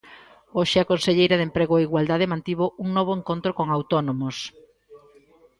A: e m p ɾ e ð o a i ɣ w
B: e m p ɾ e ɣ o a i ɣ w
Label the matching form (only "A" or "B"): B